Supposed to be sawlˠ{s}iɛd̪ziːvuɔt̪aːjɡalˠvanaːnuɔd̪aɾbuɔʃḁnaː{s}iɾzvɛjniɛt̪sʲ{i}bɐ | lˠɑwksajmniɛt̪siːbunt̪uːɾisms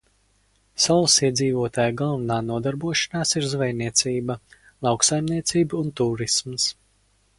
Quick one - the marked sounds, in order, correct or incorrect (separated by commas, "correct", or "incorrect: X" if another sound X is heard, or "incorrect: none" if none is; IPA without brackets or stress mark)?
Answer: correct, correct, incorrect: iː